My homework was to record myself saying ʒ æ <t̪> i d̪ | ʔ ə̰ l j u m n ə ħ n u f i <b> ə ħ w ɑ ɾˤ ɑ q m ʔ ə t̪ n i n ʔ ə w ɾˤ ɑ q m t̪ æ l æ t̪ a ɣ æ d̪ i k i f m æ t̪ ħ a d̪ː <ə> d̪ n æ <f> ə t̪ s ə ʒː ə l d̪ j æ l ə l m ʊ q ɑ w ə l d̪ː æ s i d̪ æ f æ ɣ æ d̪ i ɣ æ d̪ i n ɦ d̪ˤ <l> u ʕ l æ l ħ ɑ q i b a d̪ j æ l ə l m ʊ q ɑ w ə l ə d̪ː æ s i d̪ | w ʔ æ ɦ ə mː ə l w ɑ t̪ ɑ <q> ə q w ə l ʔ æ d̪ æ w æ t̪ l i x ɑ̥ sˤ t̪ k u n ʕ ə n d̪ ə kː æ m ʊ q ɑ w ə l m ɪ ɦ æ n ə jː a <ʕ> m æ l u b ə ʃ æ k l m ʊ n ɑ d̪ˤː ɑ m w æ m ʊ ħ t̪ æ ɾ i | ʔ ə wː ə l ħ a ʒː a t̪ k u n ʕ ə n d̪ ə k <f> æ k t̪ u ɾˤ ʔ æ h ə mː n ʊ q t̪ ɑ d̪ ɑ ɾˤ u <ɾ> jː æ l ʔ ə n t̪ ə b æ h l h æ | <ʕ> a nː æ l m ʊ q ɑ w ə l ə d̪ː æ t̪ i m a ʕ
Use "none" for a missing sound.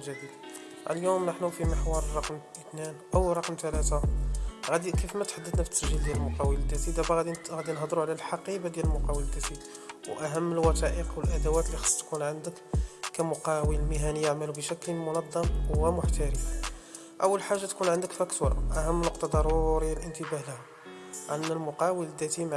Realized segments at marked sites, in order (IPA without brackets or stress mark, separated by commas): d̪, m, ə, f, ɾ, ʔ, ʕ, f, ɾ, ʕ